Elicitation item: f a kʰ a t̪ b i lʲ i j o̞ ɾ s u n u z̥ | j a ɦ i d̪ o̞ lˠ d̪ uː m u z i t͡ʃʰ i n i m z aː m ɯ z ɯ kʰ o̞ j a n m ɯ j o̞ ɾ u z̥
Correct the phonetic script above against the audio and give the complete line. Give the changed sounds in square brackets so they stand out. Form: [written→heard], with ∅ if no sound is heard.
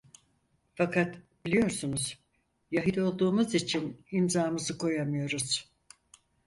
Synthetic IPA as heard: f a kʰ a t̪ b i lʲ i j o̞ ɾ s u n u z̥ | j a ɦ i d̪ o̞ lˠ d̪ uː m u z i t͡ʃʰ i n i m z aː m ɯ z ɯ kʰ o̞ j a [n→∅] m ɯ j o̞ ɾ u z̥